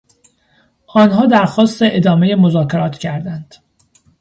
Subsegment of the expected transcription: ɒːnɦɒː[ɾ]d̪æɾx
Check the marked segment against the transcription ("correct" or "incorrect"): incorrect